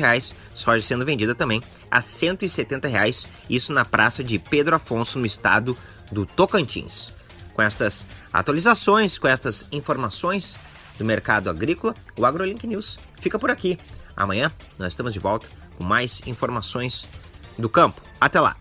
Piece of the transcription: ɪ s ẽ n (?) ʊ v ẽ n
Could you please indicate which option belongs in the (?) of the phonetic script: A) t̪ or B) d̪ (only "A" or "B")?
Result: B